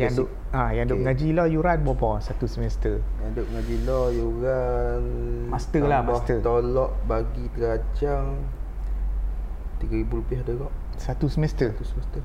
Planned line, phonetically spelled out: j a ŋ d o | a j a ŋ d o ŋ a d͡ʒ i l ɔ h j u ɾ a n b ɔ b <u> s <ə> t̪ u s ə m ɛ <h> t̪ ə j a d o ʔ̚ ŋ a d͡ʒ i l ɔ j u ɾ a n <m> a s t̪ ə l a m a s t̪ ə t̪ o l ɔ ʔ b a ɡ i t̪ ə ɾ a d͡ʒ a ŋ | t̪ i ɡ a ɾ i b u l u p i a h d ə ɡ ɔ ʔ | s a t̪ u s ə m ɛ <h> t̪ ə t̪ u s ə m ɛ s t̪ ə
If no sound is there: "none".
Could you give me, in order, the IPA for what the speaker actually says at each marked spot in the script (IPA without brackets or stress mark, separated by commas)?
ɔ, a, s, m, s